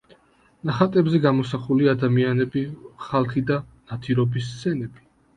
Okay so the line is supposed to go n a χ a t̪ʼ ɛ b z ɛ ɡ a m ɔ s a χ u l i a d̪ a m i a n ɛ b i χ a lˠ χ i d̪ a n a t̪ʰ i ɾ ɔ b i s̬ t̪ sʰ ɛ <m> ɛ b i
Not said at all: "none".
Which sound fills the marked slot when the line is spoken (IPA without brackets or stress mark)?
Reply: n